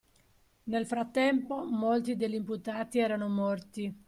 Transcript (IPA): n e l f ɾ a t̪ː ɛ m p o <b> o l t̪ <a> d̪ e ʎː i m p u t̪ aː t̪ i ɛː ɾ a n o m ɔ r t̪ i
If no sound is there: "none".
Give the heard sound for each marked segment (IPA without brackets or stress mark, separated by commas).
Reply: m, i